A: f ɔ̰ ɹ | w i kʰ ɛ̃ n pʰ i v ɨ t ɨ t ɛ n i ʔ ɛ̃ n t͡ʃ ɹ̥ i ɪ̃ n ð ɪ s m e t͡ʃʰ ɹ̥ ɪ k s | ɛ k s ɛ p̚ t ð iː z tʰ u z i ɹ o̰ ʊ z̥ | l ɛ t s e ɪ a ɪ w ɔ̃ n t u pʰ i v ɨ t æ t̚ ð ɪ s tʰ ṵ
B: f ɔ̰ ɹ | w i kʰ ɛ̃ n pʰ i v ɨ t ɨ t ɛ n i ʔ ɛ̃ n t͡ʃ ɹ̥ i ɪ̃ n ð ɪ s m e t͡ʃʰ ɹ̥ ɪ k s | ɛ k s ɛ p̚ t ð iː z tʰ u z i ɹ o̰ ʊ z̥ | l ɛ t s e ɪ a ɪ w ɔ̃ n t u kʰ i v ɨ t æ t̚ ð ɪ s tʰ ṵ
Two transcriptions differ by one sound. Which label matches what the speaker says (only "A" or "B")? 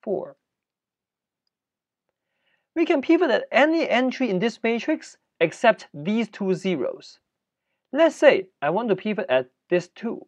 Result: A